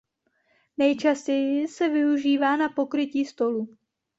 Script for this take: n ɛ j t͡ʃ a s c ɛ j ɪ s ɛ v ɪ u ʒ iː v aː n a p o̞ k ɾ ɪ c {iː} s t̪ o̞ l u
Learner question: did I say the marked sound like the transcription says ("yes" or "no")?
yes